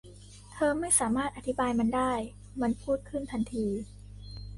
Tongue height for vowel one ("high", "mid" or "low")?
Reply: mid